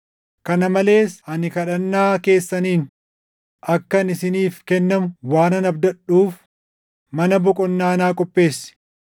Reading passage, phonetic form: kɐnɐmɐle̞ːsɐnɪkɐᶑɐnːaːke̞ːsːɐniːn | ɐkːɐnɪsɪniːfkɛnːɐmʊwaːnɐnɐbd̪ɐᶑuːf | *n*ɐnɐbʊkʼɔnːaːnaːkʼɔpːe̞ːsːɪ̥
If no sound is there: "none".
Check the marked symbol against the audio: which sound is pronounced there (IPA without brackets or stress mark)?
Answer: m